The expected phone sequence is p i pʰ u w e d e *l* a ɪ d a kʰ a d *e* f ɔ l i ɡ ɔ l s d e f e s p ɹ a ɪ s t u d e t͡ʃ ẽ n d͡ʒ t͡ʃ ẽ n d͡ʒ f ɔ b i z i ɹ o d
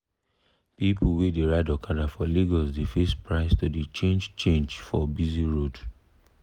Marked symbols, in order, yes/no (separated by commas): no, no